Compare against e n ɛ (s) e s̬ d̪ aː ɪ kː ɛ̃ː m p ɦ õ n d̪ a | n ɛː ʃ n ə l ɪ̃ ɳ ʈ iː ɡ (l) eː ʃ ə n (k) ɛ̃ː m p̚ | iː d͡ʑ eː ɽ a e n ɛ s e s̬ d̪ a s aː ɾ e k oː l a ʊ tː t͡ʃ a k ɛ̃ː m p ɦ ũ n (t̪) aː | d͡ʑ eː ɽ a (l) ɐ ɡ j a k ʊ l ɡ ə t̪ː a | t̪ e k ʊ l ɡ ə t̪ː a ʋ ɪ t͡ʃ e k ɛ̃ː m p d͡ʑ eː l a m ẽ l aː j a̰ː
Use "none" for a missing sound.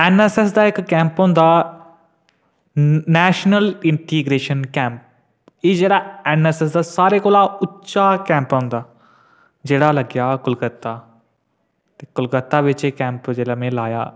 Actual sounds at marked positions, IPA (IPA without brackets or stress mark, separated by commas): s, ɾ, k, d̪, l